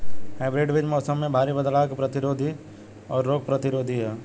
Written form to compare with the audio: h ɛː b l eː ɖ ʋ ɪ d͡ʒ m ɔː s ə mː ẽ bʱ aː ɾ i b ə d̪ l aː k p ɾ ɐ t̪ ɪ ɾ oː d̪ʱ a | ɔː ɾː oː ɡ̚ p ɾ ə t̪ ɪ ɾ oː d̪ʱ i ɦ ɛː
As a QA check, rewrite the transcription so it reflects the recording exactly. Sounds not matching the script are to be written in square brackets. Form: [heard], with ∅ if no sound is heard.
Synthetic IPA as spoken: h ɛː b [ɾ] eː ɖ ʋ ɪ d͡ʒ m ɔː s ə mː ẽ bʱ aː ɾ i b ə d̪ l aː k p ɾ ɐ t̪ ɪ ɾ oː d̪ʱ [i] | ɔː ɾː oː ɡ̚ p ɾ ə t̪ ɪ ɾ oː d̪ʱ i ɦ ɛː